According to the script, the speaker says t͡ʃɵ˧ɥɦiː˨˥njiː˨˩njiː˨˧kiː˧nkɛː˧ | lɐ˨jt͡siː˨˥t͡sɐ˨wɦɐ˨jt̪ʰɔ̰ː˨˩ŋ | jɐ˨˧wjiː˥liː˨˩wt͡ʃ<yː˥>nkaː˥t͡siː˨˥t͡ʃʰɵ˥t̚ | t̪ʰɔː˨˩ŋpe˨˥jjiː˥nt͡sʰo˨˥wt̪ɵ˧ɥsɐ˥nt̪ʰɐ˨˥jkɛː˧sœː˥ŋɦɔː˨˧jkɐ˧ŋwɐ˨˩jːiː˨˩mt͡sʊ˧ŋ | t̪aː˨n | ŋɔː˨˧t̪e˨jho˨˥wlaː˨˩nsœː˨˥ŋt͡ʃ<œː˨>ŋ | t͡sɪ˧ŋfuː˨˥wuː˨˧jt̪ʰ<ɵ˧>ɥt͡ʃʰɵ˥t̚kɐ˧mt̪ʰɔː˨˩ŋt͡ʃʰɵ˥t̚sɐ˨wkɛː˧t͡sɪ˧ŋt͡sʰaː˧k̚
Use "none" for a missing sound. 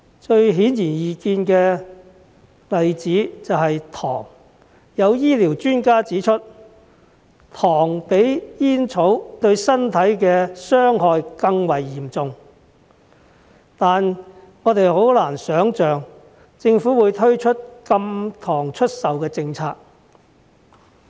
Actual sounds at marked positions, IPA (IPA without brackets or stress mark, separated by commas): yː˥, œː˨, ɵ˥